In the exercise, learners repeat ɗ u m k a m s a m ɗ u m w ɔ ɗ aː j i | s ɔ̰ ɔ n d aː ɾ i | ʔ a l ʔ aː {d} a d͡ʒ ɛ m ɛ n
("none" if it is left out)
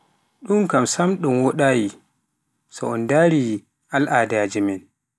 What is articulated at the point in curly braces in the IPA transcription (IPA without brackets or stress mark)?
d